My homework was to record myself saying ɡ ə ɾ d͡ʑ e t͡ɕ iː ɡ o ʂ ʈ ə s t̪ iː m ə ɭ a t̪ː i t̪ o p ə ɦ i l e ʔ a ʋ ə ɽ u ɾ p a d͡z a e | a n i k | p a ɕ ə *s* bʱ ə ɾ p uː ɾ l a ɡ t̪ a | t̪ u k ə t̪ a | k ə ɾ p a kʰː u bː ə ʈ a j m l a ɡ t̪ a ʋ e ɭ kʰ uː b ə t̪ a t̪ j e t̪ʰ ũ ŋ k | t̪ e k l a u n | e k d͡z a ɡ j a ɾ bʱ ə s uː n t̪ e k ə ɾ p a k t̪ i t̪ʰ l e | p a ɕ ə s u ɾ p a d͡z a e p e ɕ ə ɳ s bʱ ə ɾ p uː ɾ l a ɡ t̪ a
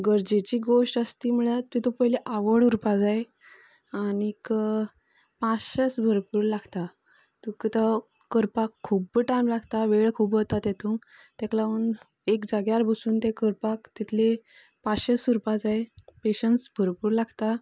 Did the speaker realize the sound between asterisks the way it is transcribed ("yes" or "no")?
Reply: yes